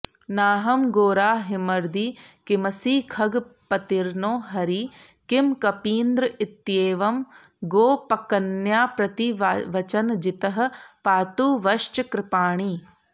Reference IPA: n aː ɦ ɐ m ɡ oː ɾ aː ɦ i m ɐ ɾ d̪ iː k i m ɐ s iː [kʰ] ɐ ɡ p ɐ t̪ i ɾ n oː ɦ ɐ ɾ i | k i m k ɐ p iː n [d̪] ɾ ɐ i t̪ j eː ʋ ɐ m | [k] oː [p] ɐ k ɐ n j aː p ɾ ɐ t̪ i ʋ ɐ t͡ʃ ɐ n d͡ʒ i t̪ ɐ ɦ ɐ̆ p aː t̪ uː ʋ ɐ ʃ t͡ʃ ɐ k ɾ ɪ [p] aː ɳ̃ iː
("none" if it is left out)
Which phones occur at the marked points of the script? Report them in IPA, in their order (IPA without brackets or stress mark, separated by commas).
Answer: kʰ, d̪, ɡ, p, p